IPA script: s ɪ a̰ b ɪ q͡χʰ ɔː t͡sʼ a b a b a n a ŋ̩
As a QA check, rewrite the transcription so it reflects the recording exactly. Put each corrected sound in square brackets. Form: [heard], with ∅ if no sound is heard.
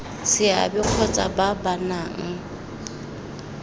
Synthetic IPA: s ɪ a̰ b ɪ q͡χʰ [ɔ] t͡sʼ a b a b a n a ŋ̩

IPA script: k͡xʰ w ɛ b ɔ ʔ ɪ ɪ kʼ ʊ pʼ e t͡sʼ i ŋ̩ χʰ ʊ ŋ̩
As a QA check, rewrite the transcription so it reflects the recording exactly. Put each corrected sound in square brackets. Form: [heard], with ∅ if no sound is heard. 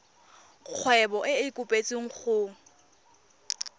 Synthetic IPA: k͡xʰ w ɛ b ɔ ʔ ɪ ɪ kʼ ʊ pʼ e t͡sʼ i ŋ̩ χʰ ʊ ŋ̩

